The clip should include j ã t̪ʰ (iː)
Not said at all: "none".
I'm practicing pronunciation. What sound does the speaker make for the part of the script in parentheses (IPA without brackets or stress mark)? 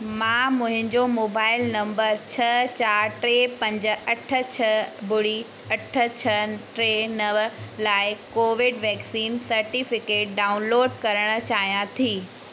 iː